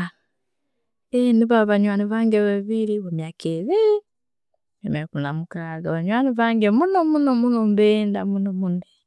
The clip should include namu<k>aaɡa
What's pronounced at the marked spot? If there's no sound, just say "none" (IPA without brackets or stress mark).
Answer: k